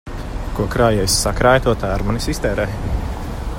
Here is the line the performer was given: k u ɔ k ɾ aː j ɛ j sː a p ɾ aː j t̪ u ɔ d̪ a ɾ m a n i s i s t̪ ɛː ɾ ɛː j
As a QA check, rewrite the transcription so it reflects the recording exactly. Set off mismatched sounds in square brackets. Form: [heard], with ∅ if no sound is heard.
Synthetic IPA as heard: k u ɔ k ɾ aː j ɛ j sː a [k] ɾ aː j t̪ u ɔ [t̪] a ɾ m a n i s i s t̪ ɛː ɾ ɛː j

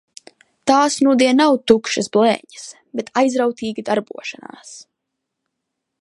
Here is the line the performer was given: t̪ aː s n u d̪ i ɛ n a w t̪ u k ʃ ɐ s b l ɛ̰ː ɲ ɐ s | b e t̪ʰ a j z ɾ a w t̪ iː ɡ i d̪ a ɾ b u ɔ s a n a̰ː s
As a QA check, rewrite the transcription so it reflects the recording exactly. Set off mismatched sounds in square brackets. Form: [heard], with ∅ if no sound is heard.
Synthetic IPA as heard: t̪ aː s n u d̪ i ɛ n a w t̪ u k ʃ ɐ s b l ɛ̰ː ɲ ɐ s | b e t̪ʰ a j z ɾ a w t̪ iː ɡ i d̪ a ɾ b u ɔ [ʃ] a n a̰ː s

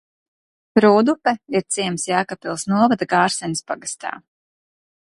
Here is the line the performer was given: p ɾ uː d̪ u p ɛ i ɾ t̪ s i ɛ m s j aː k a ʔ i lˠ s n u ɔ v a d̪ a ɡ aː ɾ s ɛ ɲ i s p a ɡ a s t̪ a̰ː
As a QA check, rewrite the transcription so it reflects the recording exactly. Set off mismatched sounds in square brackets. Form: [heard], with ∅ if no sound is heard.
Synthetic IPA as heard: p ɾ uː d̪ u p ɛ i ɾ t̪ s i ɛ m s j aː k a [p] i lˠ s n u ɔ v a d̪ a ɡ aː ɾ s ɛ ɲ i s p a ɡ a s t̪ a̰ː

